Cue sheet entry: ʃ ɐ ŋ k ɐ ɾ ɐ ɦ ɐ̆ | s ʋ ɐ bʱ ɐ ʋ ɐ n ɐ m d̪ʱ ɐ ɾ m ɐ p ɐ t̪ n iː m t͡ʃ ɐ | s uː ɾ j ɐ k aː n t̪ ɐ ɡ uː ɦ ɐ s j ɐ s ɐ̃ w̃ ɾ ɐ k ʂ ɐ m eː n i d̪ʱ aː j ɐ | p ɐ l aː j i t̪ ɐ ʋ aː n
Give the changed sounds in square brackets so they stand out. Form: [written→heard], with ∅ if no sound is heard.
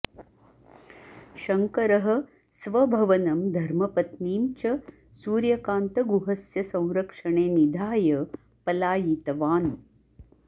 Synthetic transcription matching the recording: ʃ ɐ ŋ k ɐ ɾ ɐ ɦ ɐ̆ | s ʋ ɐ bʱ ɐ ʋ ɐ n ɐ m d̪ʱ ɐ ɾ m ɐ p ɐ t̪ n iː m t͡ʃ ɐ | s uː ɾ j ɐ k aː n t̪ ɐ ɡ [uː→u] ɦ ɐ s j ɐ s ɐ̃ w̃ ɾ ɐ k ʂ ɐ [m→ɳ] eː n i d̪ʱ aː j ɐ | p ɐ l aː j i t̪ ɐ ʋ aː n